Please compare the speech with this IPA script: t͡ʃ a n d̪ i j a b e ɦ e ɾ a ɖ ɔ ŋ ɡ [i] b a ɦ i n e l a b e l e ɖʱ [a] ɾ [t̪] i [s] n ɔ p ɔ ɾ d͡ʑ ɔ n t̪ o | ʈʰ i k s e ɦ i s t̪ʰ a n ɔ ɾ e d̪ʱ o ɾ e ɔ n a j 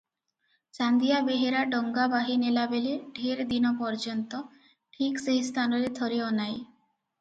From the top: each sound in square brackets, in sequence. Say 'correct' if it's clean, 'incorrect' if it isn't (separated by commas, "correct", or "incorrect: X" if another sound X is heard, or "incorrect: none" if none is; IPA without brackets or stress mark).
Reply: incorrect: a, incorrect: e, incorrect: d̪, incorrect: none